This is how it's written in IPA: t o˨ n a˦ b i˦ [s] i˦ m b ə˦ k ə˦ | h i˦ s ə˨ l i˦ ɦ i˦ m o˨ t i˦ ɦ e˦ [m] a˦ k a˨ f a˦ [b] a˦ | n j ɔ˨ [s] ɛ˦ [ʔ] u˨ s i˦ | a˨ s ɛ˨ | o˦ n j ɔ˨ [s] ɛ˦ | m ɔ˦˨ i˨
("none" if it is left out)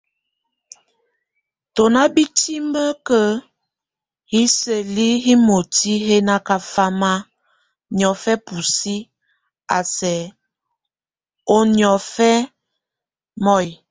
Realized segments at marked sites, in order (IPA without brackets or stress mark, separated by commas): t, n, m, f, p, f